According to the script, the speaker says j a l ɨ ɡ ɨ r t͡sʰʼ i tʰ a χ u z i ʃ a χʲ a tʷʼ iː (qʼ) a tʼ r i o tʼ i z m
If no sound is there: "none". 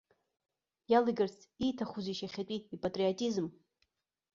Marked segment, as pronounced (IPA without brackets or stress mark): pʼ